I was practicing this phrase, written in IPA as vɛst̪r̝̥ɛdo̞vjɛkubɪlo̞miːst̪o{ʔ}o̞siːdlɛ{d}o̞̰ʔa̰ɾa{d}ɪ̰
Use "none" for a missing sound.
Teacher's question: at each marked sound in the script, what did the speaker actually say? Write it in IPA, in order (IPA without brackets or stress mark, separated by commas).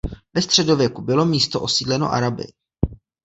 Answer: ʔ, n, b